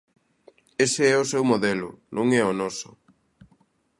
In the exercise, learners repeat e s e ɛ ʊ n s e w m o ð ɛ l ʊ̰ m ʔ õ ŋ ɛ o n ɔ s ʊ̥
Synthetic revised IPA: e s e ɛ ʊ s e w m o ð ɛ l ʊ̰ n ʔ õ ŋ ɛ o n ɔ s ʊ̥